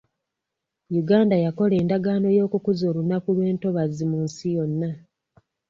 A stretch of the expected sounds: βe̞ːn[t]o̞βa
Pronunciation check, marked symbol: correct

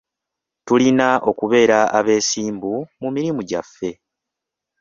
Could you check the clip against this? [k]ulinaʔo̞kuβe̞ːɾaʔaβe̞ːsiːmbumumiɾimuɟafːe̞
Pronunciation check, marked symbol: incorrect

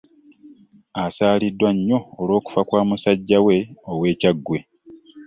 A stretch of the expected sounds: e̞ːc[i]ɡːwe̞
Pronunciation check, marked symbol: incorrect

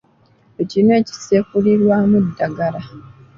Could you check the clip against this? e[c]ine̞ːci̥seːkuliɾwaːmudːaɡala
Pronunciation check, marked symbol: correct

